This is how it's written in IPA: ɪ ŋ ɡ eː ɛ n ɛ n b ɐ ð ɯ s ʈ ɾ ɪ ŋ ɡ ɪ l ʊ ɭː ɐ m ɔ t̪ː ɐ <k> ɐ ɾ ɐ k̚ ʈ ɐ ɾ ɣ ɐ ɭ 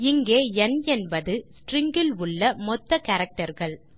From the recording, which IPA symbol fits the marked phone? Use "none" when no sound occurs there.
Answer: k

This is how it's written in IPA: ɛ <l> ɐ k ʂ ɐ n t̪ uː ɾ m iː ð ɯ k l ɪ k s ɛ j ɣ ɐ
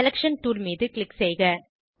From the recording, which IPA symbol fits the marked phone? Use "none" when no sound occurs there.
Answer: l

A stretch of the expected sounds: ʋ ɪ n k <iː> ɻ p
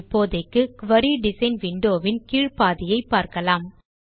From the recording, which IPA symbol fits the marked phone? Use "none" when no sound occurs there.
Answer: iː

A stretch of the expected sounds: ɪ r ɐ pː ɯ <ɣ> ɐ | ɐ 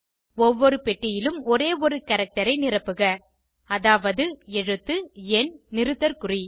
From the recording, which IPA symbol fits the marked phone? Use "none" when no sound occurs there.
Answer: ɣ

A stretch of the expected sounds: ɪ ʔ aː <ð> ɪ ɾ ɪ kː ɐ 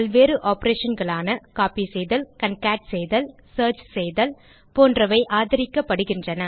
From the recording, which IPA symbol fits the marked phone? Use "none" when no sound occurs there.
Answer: ð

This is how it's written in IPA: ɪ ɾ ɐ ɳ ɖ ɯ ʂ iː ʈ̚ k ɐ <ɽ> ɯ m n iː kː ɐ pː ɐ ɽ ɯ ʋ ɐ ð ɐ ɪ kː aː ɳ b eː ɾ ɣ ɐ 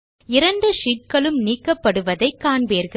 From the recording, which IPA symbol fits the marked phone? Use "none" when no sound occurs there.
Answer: ɭ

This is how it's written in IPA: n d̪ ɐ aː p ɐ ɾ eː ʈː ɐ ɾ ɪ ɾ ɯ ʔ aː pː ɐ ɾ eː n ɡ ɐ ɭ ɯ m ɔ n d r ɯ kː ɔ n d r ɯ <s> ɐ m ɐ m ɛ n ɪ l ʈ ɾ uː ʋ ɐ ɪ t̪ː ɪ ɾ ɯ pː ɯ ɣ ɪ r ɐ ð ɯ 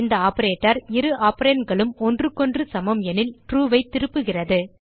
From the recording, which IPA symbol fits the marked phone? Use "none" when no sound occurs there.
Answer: s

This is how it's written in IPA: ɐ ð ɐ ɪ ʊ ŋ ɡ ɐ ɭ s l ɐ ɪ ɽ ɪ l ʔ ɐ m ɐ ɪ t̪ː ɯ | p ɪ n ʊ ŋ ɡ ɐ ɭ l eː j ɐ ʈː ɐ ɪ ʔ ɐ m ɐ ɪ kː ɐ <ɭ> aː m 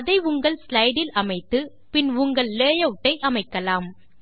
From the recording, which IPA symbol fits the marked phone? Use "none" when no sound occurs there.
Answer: l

